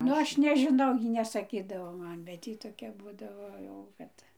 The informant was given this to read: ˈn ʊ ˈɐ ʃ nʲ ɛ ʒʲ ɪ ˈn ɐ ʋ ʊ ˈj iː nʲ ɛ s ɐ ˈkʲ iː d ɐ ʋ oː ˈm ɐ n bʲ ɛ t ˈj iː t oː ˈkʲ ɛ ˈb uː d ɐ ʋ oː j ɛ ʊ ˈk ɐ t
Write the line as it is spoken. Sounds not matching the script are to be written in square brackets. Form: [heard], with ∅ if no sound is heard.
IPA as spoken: ˈn ʊ ˈɐ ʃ nʲ ɛ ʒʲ ɪ ˈn ɐ [∅] ʊ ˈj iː nʲ ɛ s ɐ ˈkʲ iː d ɐ ʋ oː ˈm ɐ n bʲ ɛ t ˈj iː t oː ˈkʲ ɛ ˈb uː d ɐ ʋ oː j ɛ ʊ ˈk ɐ t